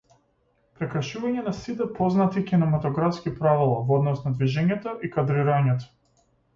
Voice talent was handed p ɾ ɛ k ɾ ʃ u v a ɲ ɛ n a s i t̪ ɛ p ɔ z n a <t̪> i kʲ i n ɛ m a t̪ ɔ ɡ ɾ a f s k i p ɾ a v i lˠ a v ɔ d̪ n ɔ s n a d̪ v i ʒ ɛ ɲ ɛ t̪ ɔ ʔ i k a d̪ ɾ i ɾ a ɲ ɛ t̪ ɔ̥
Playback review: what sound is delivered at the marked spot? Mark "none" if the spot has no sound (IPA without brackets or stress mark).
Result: t̪